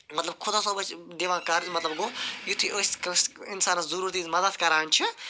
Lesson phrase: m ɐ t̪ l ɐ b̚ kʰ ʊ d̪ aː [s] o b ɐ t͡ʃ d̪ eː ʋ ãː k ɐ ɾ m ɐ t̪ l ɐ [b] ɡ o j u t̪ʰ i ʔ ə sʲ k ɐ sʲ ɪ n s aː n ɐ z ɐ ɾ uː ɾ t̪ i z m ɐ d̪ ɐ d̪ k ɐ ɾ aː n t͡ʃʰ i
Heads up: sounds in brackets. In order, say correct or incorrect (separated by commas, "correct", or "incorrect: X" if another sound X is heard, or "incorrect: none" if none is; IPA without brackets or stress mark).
correct, correct